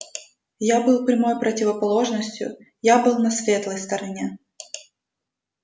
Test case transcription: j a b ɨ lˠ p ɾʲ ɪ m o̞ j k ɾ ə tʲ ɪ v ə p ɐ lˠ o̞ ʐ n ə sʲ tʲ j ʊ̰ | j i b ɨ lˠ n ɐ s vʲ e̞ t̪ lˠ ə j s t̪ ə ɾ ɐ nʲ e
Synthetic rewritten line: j a b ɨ lˠ p ɾʲ ɪ m o̞ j p ɾ ə tʲ ɪ v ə p ɐ lˠ o̞ ʐ n ə sʲ tʲ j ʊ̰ | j a b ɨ lˠ n ɐ s vʲ e̞ t̪ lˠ ə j s t̪ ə ɾ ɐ nʲ e